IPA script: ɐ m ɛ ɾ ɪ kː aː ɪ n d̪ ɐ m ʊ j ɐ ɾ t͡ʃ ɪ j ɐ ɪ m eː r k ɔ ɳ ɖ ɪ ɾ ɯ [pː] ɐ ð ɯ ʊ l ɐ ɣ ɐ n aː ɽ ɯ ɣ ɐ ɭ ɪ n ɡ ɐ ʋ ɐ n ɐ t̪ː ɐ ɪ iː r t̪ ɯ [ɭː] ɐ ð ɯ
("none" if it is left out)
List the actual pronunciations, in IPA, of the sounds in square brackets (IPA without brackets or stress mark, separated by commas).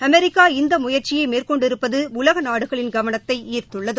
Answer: pː, ɭː